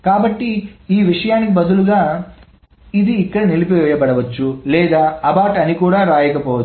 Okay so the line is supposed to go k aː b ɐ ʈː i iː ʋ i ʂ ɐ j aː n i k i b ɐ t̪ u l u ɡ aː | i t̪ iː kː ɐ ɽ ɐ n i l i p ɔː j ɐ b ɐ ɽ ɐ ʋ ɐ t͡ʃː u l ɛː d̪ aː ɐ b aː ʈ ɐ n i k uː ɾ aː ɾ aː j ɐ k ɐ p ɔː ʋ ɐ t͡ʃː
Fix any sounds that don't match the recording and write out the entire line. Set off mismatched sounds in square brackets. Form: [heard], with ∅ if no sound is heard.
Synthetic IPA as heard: k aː b ɐ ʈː i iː ʋ i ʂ ɐ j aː n i k i b ɐ [d̪] u l u ɡ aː | i [d̪] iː kː ɐ ɽ ɐ n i l i p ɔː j ɐ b ɐ ɽ ɐ ʋ ɐ t͡ʃː u l ɛː d̪ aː ɐ b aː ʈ ɐ n i k uː [ɽ] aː ɾ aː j ɐ k ɐ p ɔː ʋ ɐ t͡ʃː